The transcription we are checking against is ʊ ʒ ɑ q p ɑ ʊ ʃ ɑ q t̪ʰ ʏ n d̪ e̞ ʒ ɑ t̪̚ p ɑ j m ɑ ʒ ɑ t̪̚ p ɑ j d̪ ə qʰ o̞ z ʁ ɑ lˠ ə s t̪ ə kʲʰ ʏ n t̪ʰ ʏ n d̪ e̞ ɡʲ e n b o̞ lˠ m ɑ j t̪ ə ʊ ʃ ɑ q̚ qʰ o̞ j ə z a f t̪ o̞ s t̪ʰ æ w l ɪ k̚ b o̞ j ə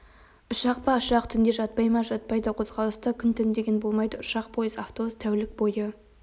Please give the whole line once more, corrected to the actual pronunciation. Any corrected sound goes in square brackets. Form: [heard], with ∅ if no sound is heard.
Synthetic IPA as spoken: ʊ [ʃ] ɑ q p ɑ ʊ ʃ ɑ q t̪ʰ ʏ n d̪ e̞ ʒ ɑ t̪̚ p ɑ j m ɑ ʒ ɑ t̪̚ p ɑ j d̪ ə qʰ o̞ z ʁ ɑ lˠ ə s t̪ ə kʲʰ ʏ n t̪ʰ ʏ n d̪ e̞ ɡʲ e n b o̞ lˠ m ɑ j [d̪] ə ʊ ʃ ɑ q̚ [pʰ] o̞ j ə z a f t̪ o̞ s t̪ʰ æ w l ɪ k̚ b o̞ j ə